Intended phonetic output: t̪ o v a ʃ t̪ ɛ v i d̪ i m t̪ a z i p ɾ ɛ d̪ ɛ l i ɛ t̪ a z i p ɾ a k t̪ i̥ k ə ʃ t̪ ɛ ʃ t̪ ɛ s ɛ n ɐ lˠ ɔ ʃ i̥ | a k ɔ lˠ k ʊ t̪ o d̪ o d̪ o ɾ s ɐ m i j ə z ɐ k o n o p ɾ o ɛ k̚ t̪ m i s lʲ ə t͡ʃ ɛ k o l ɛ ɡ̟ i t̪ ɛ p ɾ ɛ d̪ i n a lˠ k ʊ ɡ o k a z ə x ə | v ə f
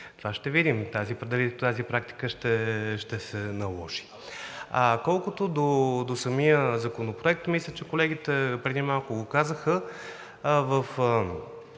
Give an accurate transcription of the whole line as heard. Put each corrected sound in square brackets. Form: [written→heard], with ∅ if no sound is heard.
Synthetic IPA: t̪ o v a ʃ t̪ ɛ v i d̪ i m t̪ a z i p ɾ ɛ d̪ ɛ l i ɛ t̪ a z i p ɾ a k t̪ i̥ k ə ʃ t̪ ɛ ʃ t̪ ɛ s ɛ n ɐ lˠ ɔ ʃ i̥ | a k ɔ lˠ k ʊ t̪ o d̪ o d̪ o [ɾ→∅] s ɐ m i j ə z ɐ k o n o p ɾ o ɛ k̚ t̪ m i s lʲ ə t͡ʃ ɛ k o l ɛ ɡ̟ i t̪ ɛ p ɾ ɛ d̪ i [n→m] a lˠ k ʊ ɡ o k a z ə x ə | v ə f